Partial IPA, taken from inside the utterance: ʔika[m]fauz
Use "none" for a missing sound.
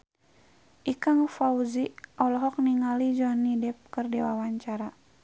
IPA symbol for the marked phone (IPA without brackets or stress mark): ŋ